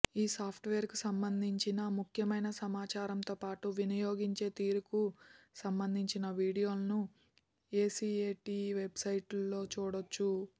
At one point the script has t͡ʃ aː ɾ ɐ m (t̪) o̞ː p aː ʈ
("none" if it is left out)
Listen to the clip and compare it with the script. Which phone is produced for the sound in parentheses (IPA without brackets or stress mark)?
t̪